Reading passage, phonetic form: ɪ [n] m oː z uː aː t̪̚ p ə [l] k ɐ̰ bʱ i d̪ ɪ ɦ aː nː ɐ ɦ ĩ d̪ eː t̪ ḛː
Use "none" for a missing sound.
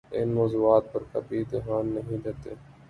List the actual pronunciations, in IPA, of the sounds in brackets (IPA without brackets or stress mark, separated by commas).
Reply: n, ɾ